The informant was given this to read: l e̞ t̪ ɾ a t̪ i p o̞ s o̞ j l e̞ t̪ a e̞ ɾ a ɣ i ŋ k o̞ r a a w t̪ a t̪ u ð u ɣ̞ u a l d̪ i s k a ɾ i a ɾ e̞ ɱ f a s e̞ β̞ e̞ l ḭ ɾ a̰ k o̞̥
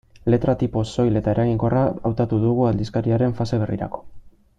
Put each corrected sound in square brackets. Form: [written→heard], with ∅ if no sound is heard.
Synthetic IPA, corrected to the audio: l e̞ t̪ ɾ a t̪ i p o̞ s o̞ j l e̞ t̪ a e̞ ɾ a ɣ i ŋ k o̞ r a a w t̪ a t̪ u ð u ɣ̞ u a l d̪ i s k a ɾ i a ɾ e̞ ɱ f a s e̞ β̞ e̞ [l→r] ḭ ɾ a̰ k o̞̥